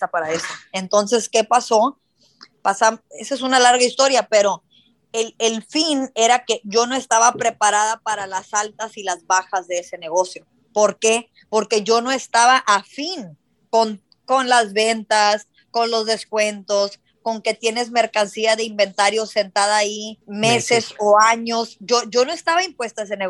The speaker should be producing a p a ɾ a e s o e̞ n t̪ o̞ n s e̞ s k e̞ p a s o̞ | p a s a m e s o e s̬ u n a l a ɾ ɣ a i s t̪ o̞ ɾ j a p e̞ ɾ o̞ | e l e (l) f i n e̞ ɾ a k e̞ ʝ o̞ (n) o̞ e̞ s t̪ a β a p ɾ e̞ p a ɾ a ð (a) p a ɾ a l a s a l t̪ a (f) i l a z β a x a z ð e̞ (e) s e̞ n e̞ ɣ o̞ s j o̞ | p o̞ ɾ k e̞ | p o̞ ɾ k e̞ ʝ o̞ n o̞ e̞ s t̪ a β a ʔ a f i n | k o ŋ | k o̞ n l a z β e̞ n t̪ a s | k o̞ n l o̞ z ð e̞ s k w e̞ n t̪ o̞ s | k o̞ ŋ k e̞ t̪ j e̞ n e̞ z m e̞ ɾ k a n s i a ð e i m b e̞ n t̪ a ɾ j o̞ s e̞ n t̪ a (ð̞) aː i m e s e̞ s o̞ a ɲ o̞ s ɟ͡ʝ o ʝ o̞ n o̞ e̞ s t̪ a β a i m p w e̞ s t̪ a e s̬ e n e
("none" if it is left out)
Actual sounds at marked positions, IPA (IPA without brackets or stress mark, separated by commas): l, n, a, s, e, ð̞